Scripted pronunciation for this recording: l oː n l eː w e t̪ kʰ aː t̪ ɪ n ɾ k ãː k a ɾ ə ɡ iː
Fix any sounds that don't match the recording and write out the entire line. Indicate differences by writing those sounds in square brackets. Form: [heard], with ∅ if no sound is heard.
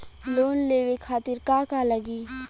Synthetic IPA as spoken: l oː n l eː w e [∅] kʰ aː t̪ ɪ [∅] ɾ k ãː k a [l] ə ɡ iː